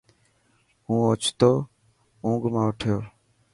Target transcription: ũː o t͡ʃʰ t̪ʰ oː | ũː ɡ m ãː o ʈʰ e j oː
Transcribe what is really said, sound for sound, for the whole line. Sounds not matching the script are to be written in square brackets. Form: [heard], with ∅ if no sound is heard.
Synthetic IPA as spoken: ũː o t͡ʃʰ [t̪] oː | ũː ɡ m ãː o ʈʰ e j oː